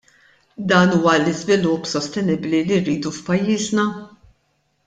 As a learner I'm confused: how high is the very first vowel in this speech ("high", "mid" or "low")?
low